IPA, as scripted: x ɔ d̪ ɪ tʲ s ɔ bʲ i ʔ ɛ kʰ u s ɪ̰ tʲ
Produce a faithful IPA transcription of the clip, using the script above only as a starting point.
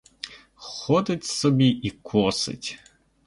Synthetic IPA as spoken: x ɔ d̪ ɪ tʲ s ɔ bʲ i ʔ i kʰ ɔ s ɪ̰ tʲ